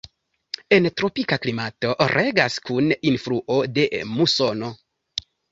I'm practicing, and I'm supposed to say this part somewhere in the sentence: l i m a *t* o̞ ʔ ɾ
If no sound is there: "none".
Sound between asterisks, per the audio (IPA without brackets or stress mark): t